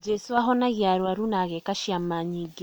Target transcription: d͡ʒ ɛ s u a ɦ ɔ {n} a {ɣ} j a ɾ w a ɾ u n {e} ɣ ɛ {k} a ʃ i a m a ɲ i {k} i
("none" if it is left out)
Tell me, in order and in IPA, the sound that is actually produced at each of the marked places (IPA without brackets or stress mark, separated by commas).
n, ɣ, a, k, ɡ